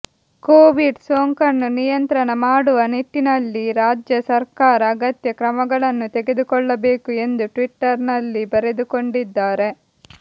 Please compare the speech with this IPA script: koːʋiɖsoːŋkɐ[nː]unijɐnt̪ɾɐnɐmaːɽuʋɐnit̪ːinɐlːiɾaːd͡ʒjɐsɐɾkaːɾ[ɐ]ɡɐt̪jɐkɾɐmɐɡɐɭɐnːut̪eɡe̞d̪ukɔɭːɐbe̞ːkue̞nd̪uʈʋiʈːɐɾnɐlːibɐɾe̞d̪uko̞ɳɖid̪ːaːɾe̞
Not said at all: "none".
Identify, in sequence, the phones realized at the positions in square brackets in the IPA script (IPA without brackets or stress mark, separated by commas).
nː, ɐː